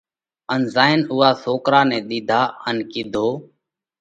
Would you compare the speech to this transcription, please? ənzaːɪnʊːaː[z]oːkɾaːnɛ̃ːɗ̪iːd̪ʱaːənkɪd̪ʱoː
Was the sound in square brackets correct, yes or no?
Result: no